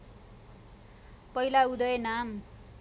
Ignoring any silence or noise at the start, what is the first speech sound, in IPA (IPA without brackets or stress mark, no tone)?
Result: p